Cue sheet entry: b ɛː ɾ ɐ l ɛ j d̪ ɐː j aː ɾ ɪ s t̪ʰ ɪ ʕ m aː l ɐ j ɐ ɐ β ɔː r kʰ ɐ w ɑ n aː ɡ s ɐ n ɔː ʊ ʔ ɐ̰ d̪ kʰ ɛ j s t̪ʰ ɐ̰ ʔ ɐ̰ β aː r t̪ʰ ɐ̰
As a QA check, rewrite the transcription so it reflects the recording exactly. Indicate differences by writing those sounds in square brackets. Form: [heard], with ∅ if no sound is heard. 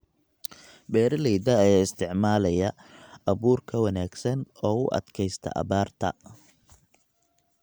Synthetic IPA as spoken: b ɛː ɾ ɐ l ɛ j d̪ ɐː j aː [∅] ɪ s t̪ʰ ɪ ʕ m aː l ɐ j ɐ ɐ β [uː] r kʰ ɐ w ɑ n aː ɡ s ɐ n ɔː ʊ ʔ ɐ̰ d̪ kʰ ɛ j s t̪ʰ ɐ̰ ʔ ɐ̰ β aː r t̪ʰ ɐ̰